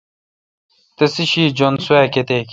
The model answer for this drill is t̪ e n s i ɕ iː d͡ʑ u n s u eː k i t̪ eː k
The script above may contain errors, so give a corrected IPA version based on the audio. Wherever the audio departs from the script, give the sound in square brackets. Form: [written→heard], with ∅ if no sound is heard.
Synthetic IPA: t̪ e [n→∅] s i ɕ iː d͡ʑ [u→o] n s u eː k [i→e] t̪ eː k